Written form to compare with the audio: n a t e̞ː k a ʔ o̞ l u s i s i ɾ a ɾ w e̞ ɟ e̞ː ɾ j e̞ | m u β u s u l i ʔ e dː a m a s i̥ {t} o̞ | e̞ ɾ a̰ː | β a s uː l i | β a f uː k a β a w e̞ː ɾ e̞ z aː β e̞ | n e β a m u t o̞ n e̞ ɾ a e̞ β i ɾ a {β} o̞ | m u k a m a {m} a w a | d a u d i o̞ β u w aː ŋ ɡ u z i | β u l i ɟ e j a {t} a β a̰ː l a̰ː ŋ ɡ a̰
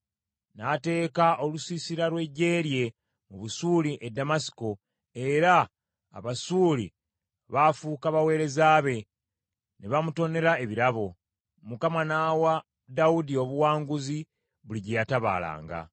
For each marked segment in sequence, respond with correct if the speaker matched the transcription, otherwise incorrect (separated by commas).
incorrect, correct, incorrect, correct